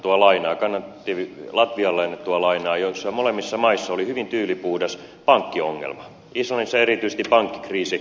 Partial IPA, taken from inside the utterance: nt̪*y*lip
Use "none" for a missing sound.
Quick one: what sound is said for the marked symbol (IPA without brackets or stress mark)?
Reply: yː